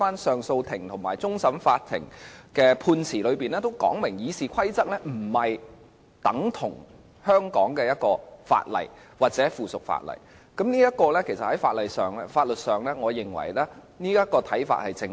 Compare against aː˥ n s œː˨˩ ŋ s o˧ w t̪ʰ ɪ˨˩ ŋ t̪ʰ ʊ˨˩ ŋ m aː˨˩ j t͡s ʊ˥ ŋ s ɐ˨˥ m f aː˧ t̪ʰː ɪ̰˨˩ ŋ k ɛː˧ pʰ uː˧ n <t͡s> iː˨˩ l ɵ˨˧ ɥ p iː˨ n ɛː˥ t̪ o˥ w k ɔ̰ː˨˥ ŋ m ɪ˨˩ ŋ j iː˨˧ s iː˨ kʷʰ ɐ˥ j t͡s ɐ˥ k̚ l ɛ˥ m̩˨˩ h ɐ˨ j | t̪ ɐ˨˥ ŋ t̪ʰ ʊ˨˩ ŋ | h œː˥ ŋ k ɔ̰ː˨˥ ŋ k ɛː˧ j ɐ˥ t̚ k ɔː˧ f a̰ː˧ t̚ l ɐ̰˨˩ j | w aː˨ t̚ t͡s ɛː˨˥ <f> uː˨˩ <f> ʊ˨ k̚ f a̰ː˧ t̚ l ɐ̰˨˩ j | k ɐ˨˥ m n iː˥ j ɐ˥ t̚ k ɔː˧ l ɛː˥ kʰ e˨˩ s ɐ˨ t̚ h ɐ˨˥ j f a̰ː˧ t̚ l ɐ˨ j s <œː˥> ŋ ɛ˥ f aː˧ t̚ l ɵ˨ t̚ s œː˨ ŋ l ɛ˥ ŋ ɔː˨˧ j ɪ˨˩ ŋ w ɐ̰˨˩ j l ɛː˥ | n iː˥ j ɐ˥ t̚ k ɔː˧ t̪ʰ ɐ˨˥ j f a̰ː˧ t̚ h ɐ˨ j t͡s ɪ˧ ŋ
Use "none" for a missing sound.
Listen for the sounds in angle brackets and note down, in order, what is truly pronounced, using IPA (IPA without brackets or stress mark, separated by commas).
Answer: t͡sʰ, f, s, œː˨˩